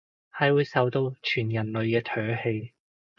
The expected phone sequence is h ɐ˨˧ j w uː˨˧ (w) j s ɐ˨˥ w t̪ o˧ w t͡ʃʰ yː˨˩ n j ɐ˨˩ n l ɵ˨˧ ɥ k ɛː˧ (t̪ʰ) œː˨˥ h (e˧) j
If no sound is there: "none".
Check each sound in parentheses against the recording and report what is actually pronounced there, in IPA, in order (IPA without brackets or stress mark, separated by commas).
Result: none, t̪ʰ, e˧